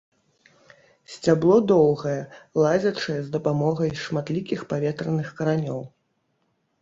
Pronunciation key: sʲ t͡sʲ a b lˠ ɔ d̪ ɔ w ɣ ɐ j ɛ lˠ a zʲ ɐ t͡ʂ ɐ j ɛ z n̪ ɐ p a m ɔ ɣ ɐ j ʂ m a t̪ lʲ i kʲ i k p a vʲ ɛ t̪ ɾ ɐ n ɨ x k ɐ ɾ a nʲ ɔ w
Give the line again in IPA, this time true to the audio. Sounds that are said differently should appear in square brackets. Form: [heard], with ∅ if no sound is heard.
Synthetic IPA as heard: sʲ t͡sʲ a b lˠ ɔ d̪ ɔ w ɣ ɐ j ɛ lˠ a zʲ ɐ t͡ʂ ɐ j ɛ z [d̪] ɐ p a m ɔ ɣ ɐ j ʂ m a t̪ lʲ i kʲ i [x] p a vʲ ɛ t̪ ɾ ɐ n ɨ x k ɐ ɾ a nʲ ɔ w